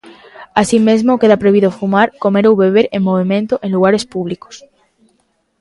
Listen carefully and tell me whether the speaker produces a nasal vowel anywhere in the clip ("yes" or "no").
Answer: yes